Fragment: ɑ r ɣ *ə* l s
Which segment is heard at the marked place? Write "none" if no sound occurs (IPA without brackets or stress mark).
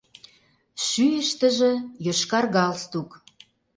ɑ